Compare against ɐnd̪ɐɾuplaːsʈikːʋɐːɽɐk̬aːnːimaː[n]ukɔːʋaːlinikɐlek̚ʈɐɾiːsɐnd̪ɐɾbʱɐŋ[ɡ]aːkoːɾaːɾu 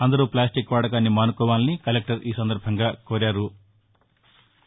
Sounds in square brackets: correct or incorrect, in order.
correct, correct

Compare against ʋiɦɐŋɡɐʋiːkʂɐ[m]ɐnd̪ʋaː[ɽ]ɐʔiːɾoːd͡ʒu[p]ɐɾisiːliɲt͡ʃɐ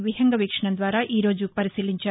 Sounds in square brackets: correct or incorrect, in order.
incorrect, incorrect, correct

